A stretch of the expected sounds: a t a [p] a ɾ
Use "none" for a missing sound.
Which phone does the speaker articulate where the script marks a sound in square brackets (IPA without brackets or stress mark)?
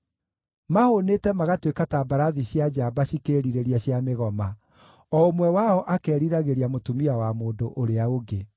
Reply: b